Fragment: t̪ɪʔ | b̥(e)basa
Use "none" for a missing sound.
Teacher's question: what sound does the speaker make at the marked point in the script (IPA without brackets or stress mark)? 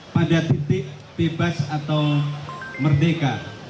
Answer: e